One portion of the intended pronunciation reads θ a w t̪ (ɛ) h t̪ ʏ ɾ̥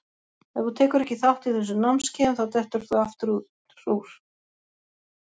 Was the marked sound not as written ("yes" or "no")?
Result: no